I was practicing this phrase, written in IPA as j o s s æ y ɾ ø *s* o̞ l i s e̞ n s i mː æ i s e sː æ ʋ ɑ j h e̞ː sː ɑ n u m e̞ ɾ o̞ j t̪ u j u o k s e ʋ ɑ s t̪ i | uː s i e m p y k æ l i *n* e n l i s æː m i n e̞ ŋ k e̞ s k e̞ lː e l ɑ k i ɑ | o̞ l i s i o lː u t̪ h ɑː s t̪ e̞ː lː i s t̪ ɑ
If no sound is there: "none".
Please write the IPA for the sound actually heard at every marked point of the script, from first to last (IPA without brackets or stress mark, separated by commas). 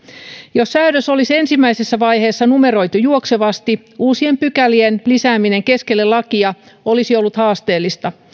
s, none